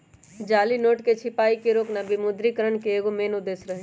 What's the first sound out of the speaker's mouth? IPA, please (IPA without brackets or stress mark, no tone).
d͡ʒ